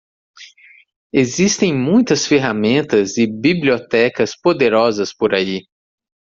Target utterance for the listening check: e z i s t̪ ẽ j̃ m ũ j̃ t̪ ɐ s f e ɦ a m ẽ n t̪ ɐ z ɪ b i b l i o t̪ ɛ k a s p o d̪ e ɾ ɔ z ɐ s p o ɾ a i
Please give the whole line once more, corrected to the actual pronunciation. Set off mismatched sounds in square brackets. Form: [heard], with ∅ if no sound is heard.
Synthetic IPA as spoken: e z i s t̪ ẽ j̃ m ũ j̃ t̪ ɐ s f e ɦ a m ẽ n t̪ ɐ z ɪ b i b l i o t̪ ɛ k [ɐ] s p o d̪ e ɾ ɔ z ɐ s p o ɾ a i